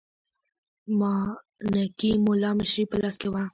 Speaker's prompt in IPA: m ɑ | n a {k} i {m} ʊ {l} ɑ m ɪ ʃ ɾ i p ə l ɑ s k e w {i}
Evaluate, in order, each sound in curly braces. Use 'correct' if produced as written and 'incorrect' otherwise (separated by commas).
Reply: correct, correct, correct, incorrect